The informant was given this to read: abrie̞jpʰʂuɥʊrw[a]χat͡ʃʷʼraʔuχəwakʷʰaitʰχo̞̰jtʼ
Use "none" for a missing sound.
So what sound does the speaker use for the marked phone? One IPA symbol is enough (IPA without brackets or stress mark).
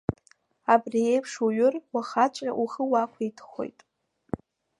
a